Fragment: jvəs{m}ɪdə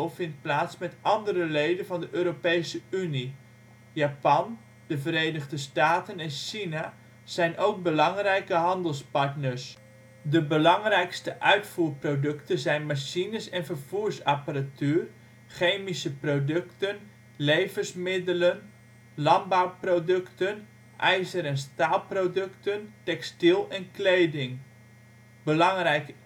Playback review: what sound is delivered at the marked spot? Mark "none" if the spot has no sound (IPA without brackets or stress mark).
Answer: m